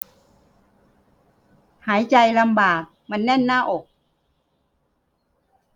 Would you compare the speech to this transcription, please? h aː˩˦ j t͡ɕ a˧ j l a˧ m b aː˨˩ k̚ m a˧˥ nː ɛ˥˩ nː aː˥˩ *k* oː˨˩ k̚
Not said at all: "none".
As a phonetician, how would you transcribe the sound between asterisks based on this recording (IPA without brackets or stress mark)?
ʔ